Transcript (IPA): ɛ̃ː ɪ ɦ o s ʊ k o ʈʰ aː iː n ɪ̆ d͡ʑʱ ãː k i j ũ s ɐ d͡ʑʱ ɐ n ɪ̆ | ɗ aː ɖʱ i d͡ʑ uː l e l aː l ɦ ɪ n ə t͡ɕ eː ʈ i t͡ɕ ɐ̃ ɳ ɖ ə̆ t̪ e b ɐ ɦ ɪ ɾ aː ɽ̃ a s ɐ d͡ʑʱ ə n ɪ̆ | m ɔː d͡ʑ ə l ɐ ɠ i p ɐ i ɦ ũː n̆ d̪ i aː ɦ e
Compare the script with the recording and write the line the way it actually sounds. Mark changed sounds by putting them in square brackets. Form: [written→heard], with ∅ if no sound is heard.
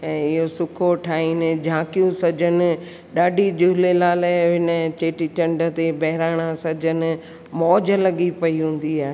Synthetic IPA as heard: ɛ̃ː ɪ ɦ o s ʊ [k→kʰ] o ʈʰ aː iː n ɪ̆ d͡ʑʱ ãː k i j ũ s ɐ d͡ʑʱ [ɐ→ə] n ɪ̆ | ɗ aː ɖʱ i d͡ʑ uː l e l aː l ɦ ɪ n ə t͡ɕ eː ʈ i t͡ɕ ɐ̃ ɳ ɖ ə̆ t̪ e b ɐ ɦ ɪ ɾ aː ɽ̃ a s ɐ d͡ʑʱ ə n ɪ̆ | m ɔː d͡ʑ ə l ɐ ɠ i p ɐ i ɦ ũː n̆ d̪ i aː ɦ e

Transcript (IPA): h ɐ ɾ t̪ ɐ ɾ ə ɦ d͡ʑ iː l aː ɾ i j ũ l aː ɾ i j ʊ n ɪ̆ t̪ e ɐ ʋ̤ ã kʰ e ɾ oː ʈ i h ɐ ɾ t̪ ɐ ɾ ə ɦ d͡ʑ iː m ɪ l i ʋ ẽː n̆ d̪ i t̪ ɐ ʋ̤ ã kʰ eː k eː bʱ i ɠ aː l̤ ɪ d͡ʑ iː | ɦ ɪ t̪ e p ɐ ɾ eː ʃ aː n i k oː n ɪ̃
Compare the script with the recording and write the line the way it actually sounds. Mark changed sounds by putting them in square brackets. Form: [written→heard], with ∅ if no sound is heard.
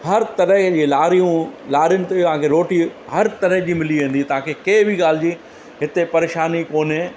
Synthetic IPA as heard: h ɐ ɾ t̪ ɐ ɾ ə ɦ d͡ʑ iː l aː ɾ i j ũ l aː ɾ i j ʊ n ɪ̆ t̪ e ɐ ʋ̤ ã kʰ e ɾ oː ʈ i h ɐ ɾ t̪ ɐ ɾ ə ɦ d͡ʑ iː m ɪ l i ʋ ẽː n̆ d̪ i t̪ ɐ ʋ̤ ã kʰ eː k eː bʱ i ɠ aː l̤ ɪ d͡ʑ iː | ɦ ɪ t̪ e p ɐ ɾ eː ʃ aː n i k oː n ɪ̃

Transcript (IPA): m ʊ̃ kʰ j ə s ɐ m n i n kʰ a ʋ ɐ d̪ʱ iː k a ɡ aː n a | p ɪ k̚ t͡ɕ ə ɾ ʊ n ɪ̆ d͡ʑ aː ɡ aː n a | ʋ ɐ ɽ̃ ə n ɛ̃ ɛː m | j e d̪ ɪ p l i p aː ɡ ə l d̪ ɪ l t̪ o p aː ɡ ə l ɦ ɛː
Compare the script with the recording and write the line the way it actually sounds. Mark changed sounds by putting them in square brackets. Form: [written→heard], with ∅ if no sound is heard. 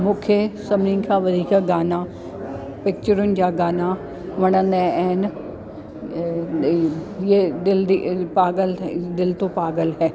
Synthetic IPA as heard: m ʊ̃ kʰ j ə s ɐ m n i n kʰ a ʋ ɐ d̪ʱ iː k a ɡ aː n a | p ɪ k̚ t͡ɕ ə ɾ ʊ n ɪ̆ d͡ʑ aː ɡ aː n a | ʋ ɐ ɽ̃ ə n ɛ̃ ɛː [m→n] | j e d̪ ɪ [p→∅] l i p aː ɡ ə l d̪ ɪ l t̪ o p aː ɡ ə l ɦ ɛː

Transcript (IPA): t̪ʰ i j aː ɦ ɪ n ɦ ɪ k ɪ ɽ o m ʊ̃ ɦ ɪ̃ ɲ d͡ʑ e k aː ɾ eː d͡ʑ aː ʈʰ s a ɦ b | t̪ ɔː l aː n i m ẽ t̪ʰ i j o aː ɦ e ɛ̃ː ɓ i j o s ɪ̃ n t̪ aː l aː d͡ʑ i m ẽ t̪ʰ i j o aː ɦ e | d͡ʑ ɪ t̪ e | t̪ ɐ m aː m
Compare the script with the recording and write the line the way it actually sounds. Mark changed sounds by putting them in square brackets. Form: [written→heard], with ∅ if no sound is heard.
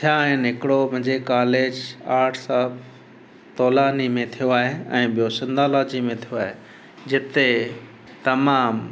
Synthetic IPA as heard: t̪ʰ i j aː ɦ ɪ n ɦ ɪ k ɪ ɽ o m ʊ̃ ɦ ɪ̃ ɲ d͡ʑ e k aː [ɾ→l] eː d͡ʑ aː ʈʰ s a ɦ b | t̪ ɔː l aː n i m ẽ t̪ʰ i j o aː ɦ e ɛ̃ː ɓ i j o s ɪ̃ n [t̪→d̪] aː l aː d͡ʑ i m ẽ t̪ʰ i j o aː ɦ e | d͡ʑ ɪ t̪ e | t̪ ɐ m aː m

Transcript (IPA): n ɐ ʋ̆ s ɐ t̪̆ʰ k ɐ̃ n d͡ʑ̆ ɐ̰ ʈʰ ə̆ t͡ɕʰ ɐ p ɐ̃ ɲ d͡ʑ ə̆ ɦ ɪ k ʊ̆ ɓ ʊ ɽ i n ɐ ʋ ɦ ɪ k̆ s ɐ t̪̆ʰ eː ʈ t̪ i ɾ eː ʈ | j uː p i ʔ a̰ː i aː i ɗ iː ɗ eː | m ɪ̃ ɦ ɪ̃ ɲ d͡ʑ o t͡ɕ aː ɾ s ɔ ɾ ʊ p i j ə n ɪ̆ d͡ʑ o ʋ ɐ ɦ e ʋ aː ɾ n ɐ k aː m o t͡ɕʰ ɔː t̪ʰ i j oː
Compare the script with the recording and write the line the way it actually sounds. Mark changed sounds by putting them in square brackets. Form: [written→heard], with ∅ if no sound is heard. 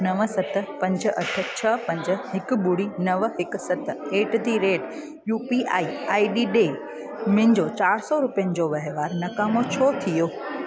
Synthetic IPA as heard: n ɐ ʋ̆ s ɐ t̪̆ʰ [k→p] ɐ̃ [n→ɲ] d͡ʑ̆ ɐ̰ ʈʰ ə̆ t͡ɕʰ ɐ p ɐ̃ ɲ d͡ʑ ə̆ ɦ ɪ k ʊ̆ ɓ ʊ ɽ i n ɐ ʋ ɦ ɪ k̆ s ɐ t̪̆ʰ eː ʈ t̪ i ɾ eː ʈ | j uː p i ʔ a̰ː i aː i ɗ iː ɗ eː | m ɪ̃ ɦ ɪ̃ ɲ d͡ʑ o t͡ɕ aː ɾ s ɔ ɾ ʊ p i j ə n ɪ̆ d͡ʑ o ʋ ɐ ɦ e ʋ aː ɾ n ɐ k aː m o t͡ɕʰ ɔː t̪ʰ i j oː

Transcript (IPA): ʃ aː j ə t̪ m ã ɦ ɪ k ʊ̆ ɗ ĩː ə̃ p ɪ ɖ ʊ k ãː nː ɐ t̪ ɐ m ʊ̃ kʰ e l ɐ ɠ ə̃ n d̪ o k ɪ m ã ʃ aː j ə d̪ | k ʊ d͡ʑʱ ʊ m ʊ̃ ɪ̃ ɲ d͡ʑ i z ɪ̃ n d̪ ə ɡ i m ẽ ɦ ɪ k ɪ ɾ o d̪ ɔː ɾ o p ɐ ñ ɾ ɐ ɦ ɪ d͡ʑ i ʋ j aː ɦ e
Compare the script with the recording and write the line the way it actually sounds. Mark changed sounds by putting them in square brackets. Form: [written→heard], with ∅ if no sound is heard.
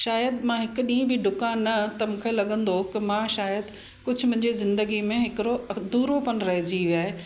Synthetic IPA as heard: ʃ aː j ə [t̪→d̪] m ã ɦ ɪ k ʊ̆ ɗ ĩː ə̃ [p→b] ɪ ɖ ʊ k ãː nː ɐ t̪ ɐ m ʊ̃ kʰ e l ɐ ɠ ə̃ n d̪ o k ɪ m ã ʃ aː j ə d̪ | k ʊ d͡ʑʱ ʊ m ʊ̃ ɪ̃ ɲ d͡ʑ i z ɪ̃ n d̪ ə ɡ i m ẽ ɦ ɪ k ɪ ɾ o d̪ [ɔː→uː] ɾ o p ɐ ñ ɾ ɐ ɦ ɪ d͡ʑ i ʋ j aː ɦ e

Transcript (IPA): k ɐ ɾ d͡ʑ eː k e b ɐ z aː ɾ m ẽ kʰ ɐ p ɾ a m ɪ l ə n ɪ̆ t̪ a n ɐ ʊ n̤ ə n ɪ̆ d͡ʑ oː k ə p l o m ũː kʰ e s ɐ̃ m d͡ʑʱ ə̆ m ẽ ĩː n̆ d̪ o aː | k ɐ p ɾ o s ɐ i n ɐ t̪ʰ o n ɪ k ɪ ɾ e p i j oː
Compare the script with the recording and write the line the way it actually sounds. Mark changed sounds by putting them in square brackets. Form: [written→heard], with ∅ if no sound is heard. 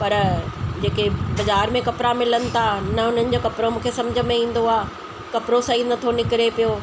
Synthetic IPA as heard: [k→p] ɐ ɾ d͡ʑ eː k e b ɐ z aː ɾ m ẽ [kʰ→k] ɐ p ɾ a m ɪ l ə n ɪ̆ [t̪→t̪ʰ] a n ɐ ʊ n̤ ə n ɪ̆ d͡ʑ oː k [ə→ɐ] p [l→ɾ] o m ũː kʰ e s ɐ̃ m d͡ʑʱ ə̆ m ẽ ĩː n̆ d̪ o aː | k ɐ p ɾ o s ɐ i n ɐ t̪ʰ o n ɪ k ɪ ɾ e p i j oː

